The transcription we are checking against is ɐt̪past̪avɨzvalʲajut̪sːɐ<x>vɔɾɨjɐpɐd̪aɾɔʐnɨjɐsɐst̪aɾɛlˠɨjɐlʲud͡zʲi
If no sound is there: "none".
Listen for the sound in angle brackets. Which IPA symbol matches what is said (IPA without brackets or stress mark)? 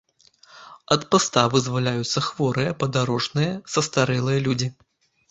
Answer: x